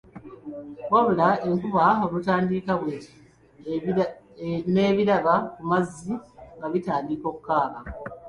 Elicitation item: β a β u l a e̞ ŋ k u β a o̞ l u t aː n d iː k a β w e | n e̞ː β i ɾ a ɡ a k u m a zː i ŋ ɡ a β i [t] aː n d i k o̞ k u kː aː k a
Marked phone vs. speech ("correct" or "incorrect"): correct